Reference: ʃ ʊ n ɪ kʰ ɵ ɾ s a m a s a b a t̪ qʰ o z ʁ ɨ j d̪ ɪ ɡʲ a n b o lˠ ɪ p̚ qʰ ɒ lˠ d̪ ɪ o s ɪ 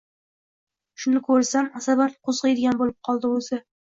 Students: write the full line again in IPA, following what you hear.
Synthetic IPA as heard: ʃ ʊ n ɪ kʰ ɵ ɾ s a m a s a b a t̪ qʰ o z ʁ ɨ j d̪ ɪ ɡʲ a n b o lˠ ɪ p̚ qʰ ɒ lˠ d̪ ɪ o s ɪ